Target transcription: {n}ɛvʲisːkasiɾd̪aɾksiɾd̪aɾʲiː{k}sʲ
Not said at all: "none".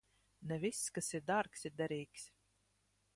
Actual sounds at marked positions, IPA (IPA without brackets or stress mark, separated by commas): n, k